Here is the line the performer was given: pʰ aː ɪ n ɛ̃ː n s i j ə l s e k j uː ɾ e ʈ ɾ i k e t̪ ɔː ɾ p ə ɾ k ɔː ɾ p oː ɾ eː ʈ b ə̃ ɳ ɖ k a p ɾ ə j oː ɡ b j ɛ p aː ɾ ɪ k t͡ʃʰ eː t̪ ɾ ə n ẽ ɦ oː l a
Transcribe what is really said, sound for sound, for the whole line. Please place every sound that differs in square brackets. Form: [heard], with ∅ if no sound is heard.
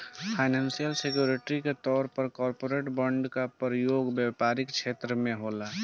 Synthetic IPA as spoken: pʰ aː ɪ n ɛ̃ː n s i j ə l s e k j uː ɾ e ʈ ɾ i k e t̪ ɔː ɾ p ə ɾ k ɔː ɾ p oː ɾ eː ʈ b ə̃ ɳ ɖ k a p ɾ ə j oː ɡ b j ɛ p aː ɾ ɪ k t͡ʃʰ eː t̪ ɾ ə [m] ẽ ɦ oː l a